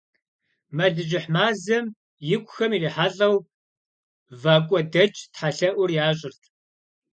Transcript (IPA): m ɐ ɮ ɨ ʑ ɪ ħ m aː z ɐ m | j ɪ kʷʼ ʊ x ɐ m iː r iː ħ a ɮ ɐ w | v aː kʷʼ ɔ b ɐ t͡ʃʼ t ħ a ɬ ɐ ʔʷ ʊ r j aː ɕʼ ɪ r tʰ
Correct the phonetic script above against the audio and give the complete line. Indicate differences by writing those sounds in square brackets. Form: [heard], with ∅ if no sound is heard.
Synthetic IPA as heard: m ɐ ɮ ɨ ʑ ɪ ħ m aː z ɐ m | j ɪ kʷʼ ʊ x ɐ m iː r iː ħ a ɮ ɐ w | v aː kʷʼ ɔ [d] ɐ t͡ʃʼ t ħ a ɬ ɐ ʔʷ ʊ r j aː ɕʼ ɪ r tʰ